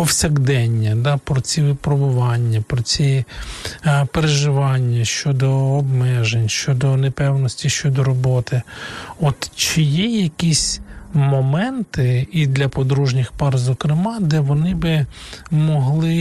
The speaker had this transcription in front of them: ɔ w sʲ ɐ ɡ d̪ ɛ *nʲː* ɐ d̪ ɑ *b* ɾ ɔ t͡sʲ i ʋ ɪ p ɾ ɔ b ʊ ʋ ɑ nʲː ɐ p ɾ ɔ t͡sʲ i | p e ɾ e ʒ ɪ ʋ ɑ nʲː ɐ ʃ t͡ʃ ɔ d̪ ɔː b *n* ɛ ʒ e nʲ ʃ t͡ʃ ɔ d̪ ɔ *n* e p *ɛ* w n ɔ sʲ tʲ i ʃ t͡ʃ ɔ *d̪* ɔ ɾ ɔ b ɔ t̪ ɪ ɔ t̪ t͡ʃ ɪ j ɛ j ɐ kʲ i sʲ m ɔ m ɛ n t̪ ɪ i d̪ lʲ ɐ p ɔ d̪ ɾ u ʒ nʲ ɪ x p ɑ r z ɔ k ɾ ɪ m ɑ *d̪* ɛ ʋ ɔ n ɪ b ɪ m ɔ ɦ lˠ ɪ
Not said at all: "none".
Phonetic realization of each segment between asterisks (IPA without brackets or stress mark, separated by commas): nʲː, p, m, n, ɛ, d̪, d̪